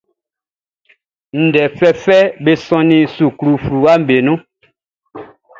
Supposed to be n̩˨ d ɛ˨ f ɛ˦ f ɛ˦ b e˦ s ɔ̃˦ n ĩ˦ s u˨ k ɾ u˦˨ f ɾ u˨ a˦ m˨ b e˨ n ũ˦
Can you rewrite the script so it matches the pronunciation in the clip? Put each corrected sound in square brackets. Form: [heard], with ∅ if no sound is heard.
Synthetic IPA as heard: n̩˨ d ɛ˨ f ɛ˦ f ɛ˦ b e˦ s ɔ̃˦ n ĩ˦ s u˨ k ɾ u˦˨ f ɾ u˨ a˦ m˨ b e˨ n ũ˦